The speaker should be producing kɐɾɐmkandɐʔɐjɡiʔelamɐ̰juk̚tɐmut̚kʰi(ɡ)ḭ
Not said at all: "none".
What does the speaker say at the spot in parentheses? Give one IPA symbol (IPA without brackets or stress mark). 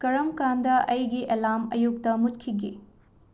ɡ